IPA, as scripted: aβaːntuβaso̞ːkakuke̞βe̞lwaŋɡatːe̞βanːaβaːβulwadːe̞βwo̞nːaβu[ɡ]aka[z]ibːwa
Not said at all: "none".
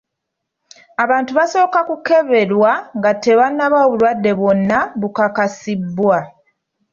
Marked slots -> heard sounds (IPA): k, s

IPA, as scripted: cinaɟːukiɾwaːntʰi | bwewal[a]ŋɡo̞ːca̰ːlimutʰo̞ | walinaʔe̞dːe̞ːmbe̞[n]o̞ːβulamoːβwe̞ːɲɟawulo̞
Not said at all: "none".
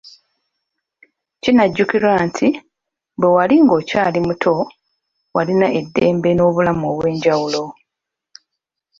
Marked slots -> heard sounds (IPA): i, n

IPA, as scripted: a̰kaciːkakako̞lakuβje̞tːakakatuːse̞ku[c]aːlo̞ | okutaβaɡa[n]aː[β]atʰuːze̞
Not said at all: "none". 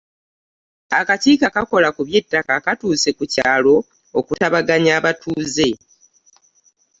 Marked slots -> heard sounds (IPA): c, ɲ, β

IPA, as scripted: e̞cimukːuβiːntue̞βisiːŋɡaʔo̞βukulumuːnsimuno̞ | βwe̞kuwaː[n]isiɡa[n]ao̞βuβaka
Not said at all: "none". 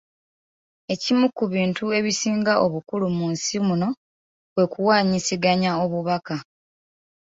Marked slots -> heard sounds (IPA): ɲ, ɲ

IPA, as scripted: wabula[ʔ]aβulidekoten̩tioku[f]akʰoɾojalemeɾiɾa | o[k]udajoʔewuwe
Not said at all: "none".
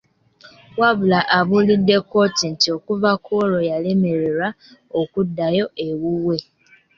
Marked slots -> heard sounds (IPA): ʔ, v, k

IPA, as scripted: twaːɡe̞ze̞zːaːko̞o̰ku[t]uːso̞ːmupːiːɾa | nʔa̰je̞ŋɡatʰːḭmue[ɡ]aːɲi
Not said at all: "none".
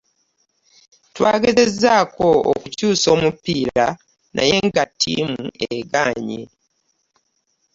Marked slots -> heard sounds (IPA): c, ɡ

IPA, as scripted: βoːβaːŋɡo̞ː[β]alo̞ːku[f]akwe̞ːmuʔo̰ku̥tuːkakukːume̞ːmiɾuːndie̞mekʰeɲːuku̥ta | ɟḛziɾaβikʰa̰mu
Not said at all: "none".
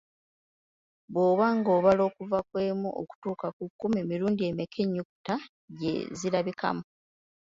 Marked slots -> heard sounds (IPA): β, v

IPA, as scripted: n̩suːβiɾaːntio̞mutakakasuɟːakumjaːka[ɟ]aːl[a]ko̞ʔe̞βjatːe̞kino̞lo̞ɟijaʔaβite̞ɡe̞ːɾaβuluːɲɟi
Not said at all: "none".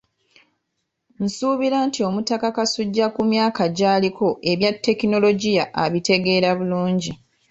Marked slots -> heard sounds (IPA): ɟ, i

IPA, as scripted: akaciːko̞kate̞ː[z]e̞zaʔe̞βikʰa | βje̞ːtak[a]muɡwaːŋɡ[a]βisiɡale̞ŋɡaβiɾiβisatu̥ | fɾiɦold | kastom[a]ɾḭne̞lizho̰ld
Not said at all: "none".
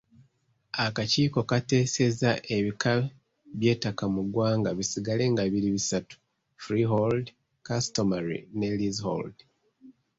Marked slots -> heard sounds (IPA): s, a, a, a

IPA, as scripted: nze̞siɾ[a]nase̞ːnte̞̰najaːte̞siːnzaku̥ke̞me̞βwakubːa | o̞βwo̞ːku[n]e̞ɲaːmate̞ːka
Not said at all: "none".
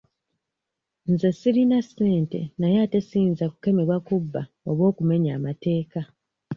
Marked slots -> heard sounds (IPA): i, m

